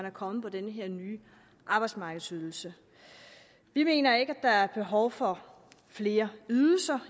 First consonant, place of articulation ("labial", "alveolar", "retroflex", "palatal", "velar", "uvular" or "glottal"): alveolar